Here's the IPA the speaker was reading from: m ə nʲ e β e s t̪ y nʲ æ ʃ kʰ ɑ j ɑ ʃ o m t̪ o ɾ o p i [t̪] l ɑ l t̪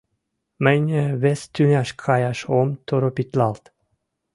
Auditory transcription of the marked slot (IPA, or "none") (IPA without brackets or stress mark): t̪